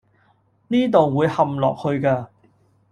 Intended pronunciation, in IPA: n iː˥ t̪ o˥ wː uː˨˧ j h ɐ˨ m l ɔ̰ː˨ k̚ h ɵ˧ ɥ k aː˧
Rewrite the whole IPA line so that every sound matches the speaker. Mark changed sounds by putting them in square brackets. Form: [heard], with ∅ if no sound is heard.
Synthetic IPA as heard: n iː˥ t̪ [o˨] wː uː˨˧ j h ɐ˨ m l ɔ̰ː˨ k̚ h ɵ˧ ɥ k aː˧